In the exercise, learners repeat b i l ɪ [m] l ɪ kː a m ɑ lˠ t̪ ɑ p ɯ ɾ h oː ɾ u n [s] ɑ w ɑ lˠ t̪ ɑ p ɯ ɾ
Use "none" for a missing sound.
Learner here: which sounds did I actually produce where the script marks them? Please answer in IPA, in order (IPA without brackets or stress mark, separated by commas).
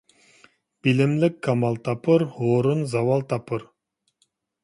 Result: m, z